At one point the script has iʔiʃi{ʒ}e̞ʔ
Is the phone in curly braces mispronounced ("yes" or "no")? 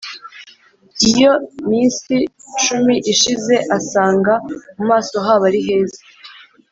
yes